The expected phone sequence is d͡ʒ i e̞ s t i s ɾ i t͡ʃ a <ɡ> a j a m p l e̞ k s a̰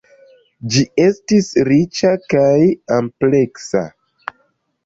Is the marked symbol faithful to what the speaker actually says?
no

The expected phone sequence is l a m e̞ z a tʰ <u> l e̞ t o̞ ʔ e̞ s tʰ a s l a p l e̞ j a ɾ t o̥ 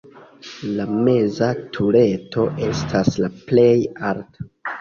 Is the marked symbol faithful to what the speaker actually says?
yes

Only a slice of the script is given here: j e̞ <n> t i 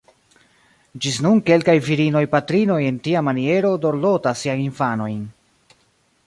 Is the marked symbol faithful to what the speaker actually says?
yes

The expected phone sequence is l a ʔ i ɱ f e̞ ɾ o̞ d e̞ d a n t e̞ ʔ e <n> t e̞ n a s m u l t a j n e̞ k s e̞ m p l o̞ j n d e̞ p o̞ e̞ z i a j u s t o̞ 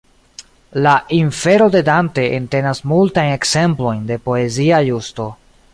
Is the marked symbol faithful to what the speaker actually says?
yes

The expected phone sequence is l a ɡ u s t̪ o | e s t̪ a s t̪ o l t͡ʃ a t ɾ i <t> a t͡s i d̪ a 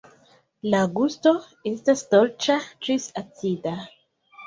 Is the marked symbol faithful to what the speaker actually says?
no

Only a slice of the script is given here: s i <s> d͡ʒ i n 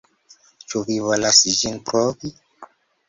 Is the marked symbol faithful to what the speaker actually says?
no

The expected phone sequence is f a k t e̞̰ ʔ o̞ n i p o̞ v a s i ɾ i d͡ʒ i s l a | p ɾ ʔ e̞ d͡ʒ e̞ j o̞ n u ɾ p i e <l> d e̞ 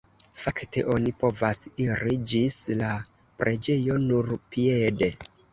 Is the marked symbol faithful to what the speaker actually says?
no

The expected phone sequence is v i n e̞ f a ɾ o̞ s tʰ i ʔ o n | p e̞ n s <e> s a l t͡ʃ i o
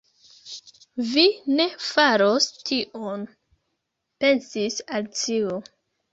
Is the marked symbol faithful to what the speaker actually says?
no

